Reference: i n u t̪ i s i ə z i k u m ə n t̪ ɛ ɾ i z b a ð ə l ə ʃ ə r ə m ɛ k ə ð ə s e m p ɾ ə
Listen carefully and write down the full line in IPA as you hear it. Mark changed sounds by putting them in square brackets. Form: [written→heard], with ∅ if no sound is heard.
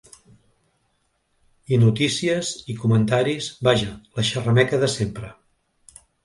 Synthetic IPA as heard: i n u t̪ i s i ə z i k u m ə n t̪ [ɛ→a] ɾ i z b a [ð→ʒ] ə l ə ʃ ə r ə m ɛ k ə ð ə s e m p ɾ ə